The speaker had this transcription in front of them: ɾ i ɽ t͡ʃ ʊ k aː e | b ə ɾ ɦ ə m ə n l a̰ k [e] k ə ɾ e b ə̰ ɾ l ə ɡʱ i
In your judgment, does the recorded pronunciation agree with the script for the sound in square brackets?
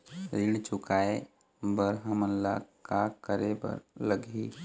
no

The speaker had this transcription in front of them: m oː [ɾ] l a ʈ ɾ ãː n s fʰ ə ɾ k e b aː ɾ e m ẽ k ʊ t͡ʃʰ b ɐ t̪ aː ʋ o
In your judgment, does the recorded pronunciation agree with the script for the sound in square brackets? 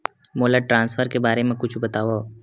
no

